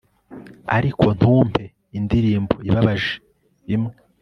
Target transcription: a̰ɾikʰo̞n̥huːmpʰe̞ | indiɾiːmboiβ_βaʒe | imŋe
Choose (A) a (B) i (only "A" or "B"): A